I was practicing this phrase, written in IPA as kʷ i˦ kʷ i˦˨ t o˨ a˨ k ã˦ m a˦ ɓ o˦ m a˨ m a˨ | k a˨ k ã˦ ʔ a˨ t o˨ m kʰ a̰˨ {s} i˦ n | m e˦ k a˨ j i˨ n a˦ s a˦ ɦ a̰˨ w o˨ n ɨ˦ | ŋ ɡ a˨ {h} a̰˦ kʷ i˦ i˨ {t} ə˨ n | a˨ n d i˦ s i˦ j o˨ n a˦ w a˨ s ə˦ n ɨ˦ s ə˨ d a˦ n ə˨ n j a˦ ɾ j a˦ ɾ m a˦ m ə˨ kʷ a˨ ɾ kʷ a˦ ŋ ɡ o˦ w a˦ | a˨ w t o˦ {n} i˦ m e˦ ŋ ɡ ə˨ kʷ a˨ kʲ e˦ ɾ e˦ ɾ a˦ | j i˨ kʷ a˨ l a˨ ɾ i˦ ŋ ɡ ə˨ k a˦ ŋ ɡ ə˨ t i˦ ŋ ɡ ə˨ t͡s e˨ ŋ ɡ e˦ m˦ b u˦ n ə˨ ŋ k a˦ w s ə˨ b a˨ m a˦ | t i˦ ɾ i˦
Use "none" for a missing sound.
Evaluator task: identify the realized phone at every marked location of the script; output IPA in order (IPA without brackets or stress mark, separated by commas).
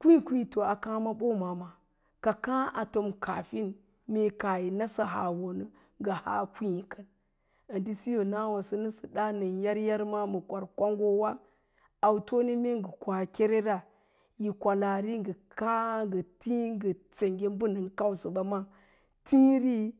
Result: f, h, k, n